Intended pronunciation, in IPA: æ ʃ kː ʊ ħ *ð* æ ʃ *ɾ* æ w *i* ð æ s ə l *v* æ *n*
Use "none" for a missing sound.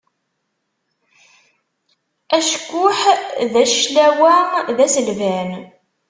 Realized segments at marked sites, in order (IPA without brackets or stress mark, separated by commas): ð, l, æ, v, n